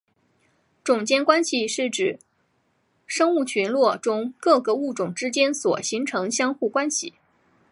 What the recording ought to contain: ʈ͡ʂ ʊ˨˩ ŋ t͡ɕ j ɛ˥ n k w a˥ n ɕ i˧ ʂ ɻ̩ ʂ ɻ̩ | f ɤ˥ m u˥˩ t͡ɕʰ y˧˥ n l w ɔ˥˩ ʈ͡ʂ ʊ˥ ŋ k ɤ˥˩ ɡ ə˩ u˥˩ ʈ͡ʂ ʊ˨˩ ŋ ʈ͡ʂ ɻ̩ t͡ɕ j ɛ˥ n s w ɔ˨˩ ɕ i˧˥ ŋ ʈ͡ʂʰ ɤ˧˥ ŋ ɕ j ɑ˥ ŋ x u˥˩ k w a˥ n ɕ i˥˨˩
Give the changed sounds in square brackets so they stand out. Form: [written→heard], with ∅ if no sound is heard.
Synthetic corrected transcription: ʈ͡ʂ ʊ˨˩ ŋ t͡ɕ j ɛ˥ n k w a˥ n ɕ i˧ ʂ ɻ̩ [ʂ→ʈ͡ʂ] ɻ̩ | [f→ʂ] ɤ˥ [m→ŋ] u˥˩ t͡ɕʰ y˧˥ n l w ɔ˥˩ ʈ͡ʂ ʊ˥ ŋ k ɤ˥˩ ɡ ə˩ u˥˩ ʈ͡ʂ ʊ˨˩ ŋ ʈ͡ʂ ɻ̩ t͡ɕ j ɛ˥ n s w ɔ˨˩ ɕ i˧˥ ŋ ʈ͡ʂʰ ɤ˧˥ ŋ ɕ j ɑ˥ ŋ x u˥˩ k w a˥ n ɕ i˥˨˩

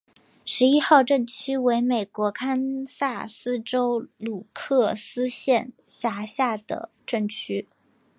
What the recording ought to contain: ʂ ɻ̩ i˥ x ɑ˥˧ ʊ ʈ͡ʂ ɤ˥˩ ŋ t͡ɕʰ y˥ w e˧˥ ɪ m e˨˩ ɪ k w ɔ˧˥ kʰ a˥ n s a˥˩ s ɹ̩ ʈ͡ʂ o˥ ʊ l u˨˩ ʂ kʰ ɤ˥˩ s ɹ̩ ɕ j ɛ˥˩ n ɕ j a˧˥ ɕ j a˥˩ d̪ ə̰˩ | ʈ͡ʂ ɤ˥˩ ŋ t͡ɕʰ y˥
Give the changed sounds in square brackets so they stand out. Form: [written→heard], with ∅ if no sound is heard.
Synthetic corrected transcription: ʂ ɻ̩ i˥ x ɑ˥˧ ʊ ʈ͡ʂ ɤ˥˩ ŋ t͡ɕʰ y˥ w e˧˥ ɪ m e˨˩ ɪ k w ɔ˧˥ kʰ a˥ n s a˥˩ s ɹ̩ ʈ͡ʂ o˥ ʊ l u˨˩ [ʂ→∅] kʰ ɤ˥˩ s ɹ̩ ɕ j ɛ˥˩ n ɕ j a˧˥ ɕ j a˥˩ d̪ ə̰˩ | ʈ͡ʂ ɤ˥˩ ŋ t͡ɕʰ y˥

